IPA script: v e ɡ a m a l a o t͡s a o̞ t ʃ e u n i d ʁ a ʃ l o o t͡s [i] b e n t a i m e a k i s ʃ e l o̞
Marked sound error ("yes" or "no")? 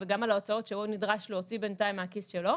no